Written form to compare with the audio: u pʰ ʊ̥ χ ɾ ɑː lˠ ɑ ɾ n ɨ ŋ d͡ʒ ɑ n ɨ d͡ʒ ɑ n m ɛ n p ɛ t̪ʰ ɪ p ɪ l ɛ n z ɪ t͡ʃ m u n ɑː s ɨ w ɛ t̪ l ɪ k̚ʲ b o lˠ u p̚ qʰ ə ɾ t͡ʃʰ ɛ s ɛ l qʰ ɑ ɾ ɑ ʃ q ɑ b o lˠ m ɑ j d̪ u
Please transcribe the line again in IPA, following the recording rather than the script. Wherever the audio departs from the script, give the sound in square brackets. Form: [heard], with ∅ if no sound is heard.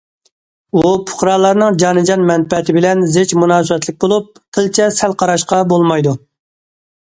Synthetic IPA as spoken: u pʰ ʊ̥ χ ɾ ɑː lˠ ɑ ɾ n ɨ ŋ d͡ʒ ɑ n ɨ d͡ʒ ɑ n m ɛ n p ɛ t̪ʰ ɪ [b] ɪ l ɛ n z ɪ t͡ʃ m u n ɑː s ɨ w ɛ t̪ l ɪ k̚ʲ b o lˠ u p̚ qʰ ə [l] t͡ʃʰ ɛ s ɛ l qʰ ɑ ɾ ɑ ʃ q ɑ b o lˠ m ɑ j d̪ u

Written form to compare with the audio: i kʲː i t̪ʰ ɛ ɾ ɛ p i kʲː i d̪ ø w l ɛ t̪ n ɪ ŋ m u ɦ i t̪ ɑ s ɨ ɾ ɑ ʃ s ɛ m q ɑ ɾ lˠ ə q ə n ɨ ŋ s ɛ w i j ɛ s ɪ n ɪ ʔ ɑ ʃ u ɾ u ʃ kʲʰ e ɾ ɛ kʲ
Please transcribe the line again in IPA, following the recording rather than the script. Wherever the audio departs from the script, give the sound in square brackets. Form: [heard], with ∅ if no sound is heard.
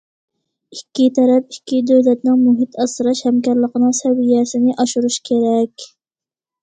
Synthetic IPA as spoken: i kʲː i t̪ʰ ɛ ɾ ɛ p i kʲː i d̪ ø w l ɛ t̪ n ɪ ŋ m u ɦ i t̪ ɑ s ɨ ɾ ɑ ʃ [h] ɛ m [k] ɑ ɾ lˠ ə q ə n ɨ ŋ s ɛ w i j ɛ s ɪ n ɪ ʔ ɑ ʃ u ɾ u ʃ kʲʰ e ɾ ɛ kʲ

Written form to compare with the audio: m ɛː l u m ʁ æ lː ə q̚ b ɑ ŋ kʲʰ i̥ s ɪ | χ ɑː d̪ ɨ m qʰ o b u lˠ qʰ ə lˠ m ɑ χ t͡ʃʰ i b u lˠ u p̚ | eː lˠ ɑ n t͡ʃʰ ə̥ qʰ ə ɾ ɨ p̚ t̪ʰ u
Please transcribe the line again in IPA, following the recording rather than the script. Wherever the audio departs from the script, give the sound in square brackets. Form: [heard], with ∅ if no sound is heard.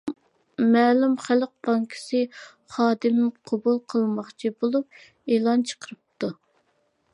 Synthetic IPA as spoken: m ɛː l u m [χ] æ [l] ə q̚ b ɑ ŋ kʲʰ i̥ s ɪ | χ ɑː d̪ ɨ m qʰ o b u lˠ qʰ ə lˠ m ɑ χ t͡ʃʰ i b [o] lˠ u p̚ | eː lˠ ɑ n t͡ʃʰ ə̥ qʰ ə ɾ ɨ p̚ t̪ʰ u

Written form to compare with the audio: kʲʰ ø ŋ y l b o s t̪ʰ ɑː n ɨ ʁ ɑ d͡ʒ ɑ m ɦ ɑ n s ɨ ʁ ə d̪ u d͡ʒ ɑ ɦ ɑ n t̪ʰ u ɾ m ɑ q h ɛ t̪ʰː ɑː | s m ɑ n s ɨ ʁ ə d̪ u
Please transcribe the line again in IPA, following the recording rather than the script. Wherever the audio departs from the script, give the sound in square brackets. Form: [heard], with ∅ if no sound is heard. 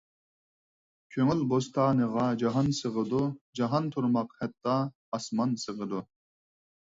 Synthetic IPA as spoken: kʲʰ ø ŋ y l b o s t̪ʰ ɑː n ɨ ʁ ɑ d͡ʒ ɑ [∅] ɦ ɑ n s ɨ ʁ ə d̪ u d͡ʒ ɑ ɦ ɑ n t̪ʰ u ɾ m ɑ q h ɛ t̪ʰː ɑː | s m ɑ n s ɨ ʁ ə d̪ u

